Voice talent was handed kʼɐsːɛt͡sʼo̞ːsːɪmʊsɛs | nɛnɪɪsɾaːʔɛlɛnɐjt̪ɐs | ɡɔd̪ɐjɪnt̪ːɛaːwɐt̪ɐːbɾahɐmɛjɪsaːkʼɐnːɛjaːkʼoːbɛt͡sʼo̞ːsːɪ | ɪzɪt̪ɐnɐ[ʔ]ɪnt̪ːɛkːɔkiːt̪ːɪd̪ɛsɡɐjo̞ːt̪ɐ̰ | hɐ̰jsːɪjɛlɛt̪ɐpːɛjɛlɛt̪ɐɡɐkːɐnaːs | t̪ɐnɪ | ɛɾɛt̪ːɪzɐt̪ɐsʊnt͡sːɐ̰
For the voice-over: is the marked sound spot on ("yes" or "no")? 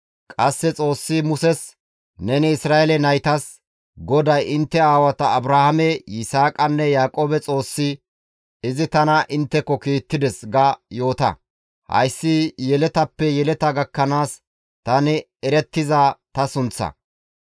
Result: yes